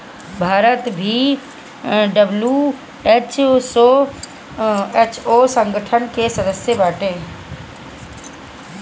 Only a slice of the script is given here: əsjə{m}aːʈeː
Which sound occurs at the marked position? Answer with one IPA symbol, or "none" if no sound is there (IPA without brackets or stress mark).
b